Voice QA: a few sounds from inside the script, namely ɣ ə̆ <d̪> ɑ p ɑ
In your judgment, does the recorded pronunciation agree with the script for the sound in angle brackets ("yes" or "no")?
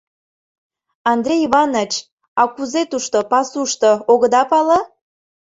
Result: yes